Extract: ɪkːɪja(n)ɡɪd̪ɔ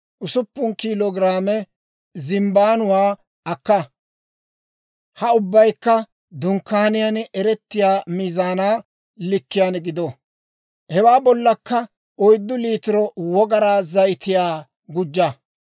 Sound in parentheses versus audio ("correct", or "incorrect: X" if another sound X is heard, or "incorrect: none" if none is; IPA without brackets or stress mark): correct